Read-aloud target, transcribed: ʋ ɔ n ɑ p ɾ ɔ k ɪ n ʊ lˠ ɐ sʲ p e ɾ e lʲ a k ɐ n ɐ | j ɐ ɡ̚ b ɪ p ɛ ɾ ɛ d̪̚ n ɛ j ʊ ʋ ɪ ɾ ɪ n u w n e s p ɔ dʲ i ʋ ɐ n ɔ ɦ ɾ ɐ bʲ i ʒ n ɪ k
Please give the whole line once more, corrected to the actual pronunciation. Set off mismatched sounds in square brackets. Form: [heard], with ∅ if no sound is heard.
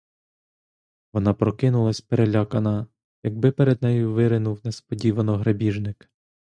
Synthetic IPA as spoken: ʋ ɔ n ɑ p ɾ ɔ k ɪ n ʊ lˠ ɐ sʲ p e ɾ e lʲ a k ɐ n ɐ | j ɐ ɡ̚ b ɪ p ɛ ɾ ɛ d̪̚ n ɛ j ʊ ʋ ɪ ɾ ɪ n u w n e s p ɔ dʲ i ʋ ɐ n ɔ ɦ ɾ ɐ bʲ i ʒ n ɪ k

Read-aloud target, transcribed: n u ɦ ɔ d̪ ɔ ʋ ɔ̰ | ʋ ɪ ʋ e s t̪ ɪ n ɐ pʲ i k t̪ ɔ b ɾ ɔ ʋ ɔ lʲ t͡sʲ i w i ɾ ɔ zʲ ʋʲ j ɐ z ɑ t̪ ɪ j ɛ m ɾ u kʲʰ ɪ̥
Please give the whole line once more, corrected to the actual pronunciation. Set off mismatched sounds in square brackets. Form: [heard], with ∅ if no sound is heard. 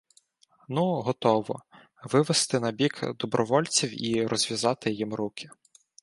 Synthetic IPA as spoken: n u ɦ ɔ [t̪] ɔ ʋ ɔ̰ | ʋ ɪ ʋ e s t̪ ɪ n ɐ [bʲ] i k [d̪] ɔ b ɾ ɔ ʋ ɔ lʲ t͡sʲ i w i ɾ ɔ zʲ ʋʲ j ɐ z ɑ t̪ ɪ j [i] m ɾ u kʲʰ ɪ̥

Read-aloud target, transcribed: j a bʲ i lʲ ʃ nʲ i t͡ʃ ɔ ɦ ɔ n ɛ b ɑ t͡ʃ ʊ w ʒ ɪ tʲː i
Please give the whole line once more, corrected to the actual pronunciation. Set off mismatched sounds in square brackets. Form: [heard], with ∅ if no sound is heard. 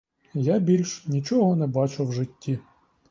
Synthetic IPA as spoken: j a bʲ i lʲ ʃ nʲ i t͡ʃ ɔ ɦ ɔ n ɛ b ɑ t͡ʃ ʊ w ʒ ɪ tʲː i

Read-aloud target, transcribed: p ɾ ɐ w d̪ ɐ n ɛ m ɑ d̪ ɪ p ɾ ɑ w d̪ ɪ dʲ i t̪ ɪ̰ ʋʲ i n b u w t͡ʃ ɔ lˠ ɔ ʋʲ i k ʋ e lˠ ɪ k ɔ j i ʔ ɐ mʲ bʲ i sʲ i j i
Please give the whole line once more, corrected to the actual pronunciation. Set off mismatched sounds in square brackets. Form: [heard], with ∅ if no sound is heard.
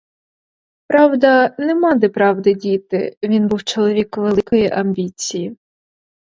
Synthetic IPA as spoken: p ɾ [ɑ] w d̪ ɐ n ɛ m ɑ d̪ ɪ p ɾ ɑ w d̪ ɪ dʲ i t̪ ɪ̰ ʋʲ i n b u w t͡ʃ ɔ lˠ ɔ ʋʲ i k ʋ e lˠ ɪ k ɔ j i ʔ ɐ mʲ bʲ i [t͡sʲ] i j i

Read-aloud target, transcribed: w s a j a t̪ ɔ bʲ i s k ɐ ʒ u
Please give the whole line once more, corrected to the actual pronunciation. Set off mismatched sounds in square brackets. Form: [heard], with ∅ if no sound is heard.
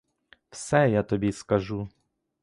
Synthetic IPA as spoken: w s [ɛ] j a t̪ ɔ bʲ i s k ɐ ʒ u

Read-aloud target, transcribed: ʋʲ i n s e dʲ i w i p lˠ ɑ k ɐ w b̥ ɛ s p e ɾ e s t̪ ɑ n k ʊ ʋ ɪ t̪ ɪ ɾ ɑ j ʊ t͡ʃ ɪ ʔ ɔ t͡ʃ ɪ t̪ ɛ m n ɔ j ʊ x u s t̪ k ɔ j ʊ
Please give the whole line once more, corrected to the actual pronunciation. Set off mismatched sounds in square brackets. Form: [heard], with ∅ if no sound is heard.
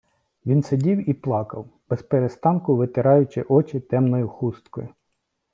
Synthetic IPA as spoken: ʋʲ i n s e dʲ i w i p lˠ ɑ k ɐ w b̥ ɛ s p e ɾ e s t̪ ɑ n k ʊ ʋ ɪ t̪ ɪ ɾ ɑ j ʊ t͡ʃ ɪ ʔ ɔ t͡ʃ ɪ t̪ ɛ m n ɔ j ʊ x u s t̪ k ɔ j ʊ

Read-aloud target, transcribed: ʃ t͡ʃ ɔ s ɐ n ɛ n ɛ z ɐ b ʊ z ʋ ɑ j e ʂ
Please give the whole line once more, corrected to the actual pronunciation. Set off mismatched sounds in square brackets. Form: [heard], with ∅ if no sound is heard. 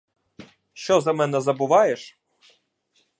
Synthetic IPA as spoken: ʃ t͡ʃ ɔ [z] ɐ [m] ɛ n ɛ z ɐ b ʊ [∅] ʋ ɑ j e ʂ

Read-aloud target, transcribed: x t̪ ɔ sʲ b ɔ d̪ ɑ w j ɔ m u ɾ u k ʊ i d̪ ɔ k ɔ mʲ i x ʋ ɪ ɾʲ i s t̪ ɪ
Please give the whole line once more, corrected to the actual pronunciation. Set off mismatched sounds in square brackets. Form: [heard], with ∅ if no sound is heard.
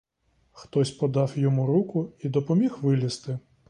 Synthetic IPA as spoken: x t̪ ɔ sʲ [p] ɔ d̪ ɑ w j ɔ m u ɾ u k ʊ i d̪ ɔ [p] ɔ mʲ i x ʋ ɪ [lʲ] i s t̪ ɪ

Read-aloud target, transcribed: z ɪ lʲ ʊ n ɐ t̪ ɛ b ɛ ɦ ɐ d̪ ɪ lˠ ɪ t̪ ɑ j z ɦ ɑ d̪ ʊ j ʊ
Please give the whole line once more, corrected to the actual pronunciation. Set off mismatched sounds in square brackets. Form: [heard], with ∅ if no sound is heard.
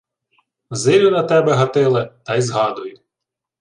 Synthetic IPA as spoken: z ɪ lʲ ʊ n ɐ t̪ ɛ b ɛ ɦ ɐ [t̪] ɪ lˠ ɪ t̪ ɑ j z ɦ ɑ d̪ ʊ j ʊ

